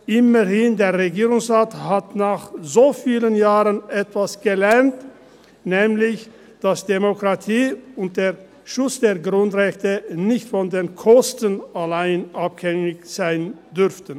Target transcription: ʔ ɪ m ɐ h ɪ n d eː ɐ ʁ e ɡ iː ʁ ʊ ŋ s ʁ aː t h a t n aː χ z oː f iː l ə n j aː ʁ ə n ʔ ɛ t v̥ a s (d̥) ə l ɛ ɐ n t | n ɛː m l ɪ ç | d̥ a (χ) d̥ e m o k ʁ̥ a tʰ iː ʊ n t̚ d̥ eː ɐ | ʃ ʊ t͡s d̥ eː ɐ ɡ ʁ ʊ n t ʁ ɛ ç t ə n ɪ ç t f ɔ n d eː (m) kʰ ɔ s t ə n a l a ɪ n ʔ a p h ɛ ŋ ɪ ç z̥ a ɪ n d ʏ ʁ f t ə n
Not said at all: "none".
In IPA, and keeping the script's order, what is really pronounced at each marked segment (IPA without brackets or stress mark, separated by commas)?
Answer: ɡ̥, s, n